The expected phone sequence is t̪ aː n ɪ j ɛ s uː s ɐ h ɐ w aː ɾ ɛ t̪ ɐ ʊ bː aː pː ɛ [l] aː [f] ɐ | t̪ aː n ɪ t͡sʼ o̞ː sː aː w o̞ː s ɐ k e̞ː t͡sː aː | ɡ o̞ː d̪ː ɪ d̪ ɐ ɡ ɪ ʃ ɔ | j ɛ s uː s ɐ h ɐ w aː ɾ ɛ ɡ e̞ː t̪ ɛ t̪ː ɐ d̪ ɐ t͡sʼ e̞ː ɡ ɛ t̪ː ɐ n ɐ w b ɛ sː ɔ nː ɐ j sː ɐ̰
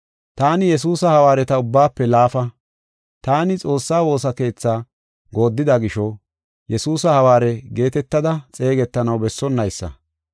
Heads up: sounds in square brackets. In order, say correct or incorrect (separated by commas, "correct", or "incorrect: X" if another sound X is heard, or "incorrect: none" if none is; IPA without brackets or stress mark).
correct, correct